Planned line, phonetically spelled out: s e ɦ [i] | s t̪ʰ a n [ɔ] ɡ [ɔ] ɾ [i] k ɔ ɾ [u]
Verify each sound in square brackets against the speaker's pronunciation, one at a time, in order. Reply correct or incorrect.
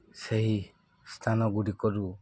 correct, correct, incorrect: u, correct, correct

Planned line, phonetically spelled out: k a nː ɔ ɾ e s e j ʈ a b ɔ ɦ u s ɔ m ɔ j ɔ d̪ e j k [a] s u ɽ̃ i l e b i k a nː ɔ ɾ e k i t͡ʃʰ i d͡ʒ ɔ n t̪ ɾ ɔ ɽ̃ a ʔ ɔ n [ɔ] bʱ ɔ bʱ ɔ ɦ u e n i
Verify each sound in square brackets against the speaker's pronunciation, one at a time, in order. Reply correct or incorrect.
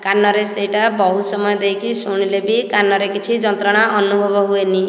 incorrect: i, incorrect: u

